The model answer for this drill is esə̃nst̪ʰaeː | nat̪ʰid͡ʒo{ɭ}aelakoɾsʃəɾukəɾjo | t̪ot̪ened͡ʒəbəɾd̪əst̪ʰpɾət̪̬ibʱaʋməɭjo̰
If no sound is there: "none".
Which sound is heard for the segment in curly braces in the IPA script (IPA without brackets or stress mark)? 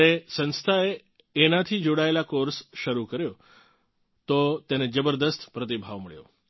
ɽ